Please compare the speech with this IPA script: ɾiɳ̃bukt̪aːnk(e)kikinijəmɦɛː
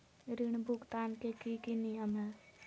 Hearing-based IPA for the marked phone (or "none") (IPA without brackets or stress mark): e